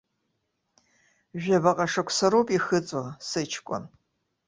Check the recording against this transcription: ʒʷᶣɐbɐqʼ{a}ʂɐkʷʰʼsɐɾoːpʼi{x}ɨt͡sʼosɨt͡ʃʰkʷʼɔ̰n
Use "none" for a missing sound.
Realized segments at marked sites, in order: ɐ, x

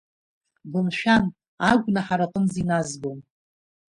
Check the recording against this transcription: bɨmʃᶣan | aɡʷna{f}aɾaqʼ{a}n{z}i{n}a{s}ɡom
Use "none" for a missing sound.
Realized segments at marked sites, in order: ħ, ə, z, n, z

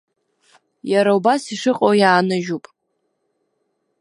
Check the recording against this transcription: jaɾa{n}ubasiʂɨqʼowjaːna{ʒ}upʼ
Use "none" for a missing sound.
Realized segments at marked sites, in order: none, ʒ

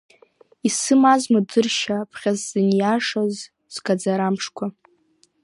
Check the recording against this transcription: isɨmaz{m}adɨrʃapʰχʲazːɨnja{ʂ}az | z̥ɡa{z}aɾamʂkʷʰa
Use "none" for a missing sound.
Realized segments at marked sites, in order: m, ʂ, d͡z

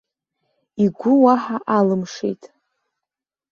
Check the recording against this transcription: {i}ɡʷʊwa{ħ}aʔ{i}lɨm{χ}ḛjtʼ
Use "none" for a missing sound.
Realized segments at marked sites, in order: i, ħ, a, ʂ

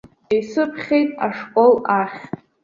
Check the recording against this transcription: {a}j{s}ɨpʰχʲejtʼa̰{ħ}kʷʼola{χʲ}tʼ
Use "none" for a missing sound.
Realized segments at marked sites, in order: e, s, ʂ, χʲ

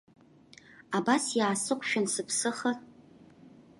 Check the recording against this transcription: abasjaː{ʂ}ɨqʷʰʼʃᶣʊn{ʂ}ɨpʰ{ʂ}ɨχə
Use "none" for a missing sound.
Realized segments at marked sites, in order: s, s, s

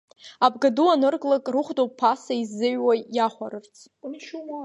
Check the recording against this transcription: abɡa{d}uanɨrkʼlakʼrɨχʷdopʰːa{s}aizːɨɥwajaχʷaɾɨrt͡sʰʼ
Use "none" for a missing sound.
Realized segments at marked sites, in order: d, s

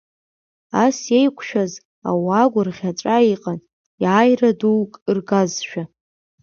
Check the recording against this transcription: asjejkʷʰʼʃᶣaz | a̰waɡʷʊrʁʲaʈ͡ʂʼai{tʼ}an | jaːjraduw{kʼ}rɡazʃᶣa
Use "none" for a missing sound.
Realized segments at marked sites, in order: qʼ, kʼ

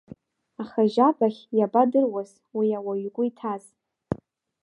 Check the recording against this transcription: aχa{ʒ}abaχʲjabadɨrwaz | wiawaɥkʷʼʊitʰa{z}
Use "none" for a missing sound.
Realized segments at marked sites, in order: ʒ, z

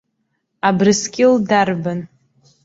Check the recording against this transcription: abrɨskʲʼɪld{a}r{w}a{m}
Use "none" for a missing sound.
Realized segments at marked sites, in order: a, b, n

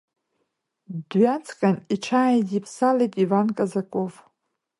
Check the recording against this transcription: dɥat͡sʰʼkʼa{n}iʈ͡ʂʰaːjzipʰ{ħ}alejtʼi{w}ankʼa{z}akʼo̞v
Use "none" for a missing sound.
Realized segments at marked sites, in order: n, s, v, z

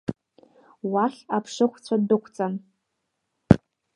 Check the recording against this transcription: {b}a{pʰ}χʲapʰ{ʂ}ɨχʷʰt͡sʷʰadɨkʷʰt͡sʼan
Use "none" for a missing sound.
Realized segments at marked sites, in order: w, none, ʂ

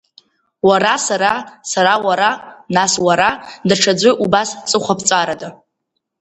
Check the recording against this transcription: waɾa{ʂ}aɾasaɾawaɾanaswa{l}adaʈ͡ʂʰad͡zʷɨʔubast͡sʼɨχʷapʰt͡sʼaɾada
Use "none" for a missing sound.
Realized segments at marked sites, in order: s, ɾ

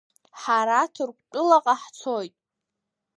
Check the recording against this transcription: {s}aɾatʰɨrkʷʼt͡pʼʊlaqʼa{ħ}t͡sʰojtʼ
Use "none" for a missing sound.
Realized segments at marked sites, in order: ħ, ħ

